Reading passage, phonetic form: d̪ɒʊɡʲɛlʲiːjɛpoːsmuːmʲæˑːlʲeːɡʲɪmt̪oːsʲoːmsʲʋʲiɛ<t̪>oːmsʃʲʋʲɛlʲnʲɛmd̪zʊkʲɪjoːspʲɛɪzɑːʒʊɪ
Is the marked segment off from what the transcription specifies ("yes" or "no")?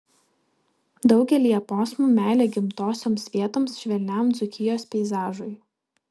no